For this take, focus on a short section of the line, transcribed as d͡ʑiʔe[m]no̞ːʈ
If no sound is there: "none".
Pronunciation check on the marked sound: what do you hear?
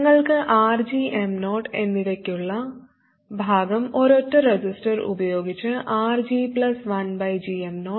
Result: m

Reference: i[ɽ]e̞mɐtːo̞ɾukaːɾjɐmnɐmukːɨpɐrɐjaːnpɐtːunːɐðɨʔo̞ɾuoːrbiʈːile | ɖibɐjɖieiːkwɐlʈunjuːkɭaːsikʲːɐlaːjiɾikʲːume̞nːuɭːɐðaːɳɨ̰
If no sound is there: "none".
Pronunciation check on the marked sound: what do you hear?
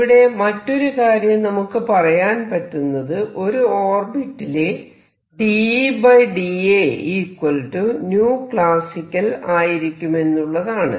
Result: ɽ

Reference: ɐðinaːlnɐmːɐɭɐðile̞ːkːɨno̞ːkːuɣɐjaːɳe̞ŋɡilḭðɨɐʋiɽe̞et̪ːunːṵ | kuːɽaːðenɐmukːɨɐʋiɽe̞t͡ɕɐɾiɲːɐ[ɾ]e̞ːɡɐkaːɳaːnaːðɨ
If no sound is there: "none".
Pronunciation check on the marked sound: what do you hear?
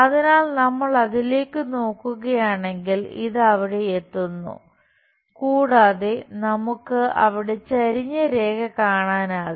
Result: ɾ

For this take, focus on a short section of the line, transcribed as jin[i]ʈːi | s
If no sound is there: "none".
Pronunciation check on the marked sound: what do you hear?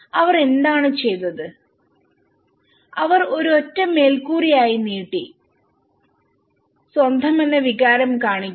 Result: iː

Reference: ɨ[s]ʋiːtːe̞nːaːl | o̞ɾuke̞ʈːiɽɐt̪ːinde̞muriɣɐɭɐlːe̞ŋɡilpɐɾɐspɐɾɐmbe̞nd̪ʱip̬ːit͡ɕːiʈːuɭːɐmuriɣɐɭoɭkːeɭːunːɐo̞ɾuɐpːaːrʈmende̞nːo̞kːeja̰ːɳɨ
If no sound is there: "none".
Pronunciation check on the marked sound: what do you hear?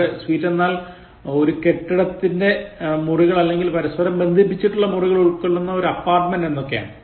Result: s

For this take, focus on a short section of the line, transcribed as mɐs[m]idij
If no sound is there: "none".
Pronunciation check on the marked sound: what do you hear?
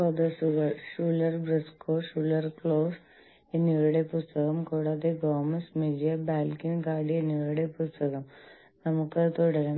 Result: m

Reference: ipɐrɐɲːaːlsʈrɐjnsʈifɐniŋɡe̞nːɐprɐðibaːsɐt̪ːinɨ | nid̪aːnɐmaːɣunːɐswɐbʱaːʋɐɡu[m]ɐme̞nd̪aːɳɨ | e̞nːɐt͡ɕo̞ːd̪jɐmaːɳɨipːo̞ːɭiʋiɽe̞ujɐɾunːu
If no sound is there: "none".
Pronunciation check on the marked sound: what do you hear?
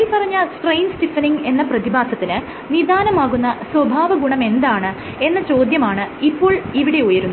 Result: ɳ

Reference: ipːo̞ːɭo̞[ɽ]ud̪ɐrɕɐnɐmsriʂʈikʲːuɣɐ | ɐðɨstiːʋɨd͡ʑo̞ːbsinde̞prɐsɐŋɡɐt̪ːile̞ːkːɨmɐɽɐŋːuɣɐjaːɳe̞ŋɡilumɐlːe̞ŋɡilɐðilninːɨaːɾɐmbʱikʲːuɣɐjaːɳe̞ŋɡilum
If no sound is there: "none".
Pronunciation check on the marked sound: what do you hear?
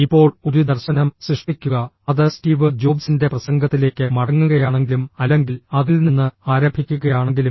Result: ɾ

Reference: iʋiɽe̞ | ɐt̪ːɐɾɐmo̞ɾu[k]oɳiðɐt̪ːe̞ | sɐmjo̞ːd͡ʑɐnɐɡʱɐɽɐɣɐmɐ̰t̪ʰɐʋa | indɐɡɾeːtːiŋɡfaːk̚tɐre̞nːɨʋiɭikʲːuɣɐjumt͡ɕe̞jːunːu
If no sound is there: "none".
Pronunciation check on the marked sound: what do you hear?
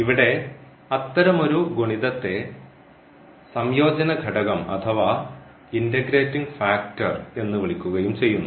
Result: ɡ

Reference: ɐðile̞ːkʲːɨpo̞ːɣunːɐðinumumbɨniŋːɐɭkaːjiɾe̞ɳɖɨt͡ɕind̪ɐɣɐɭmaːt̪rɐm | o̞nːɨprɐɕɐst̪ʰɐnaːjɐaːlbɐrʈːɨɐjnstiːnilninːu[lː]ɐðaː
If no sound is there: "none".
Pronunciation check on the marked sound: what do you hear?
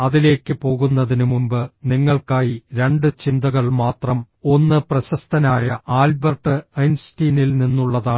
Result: ɭː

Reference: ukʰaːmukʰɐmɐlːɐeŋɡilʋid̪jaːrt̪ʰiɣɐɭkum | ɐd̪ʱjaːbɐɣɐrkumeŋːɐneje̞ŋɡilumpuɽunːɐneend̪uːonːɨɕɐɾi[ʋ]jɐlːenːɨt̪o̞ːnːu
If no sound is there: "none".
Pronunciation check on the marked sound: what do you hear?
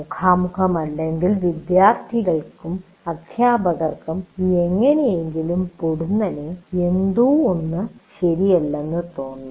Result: none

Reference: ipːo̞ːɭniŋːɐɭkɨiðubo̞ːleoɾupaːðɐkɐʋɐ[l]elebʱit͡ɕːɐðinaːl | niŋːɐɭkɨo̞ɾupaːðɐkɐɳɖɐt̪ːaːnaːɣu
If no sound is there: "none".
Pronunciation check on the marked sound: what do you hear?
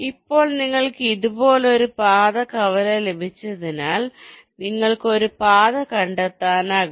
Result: l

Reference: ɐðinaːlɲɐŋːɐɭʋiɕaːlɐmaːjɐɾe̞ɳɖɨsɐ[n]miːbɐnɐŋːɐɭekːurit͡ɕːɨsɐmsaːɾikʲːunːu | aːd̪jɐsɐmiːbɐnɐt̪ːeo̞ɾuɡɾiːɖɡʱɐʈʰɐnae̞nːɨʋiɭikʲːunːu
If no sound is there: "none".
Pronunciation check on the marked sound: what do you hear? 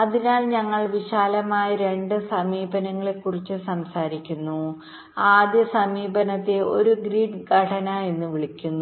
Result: none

